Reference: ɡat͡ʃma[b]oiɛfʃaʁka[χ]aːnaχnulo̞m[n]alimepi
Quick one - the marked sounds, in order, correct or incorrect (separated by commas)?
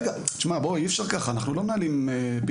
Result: correct, correct, correct